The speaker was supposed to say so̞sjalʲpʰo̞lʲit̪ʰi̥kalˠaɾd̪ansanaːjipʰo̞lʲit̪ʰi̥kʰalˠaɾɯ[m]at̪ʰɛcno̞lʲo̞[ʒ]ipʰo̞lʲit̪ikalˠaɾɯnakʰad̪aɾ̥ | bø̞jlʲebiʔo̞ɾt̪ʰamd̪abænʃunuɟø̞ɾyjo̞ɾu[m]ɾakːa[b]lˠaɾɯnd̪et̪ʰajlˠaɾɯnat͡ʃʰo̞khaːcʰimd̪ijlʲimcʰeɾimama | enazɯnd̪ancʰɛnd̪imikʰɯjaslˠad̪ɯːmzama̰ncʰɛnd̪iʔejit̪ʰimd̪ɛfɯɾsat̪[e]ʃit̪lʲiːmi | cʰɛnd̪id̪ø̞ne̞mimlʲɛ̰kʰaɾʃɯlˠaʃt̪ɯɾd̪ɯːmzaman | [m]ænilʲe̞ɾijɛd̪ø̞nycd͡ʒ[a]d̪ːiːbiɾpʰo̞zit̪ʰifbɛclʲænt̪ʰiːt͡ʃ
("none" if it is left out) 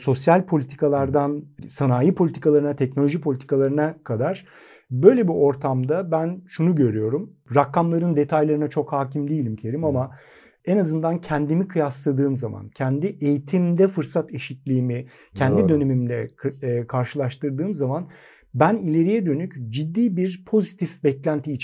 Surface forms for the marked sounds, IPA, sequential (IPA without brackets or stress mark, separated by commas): n, ʒ, m, m, e, b, i